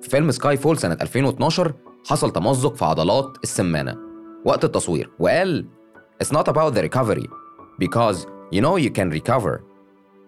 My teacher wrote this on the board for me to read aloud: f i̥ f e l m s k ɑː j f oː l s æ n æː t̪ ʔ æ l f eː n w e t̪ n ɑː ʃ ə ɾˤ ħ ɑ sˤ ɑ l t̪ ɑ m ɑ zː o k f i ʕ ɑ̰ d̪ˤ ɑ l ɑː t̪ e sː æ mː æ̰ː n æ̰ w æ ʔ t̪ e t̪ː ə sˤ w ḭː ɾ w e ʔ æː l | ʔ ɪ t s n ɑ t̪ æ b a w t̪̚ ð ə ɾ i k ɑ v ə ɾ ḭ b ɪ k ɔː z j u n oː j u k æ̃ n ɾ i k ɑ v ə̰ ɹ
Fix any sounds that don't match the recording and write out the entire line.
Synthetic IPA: f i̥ f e l m s k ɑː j f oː l s æ n æ t̪ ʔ æ l f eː n w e t̪ n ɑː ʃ ɑ ɾˤ ħ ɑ sˤ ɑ l t̪ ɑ m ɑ zː o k f i ʕ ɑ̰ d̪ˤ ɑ l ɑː t̪ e sː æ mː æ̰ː n æ̰ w æ ʔ t̪ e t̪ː ɑ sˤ w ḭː ɾ w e ʔ æː l | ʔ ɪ t s n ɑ t̪ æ b a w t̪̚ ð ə ɾ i k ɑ v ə ɾ ḭ b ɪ k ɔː z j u n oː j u k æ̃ n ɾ i k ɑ v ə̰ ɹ